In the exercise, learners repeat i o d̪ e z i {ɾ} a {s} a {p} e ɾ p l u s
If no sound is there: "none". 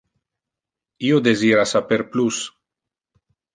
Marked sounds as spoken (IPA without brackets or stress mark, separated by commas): ɾ, s, p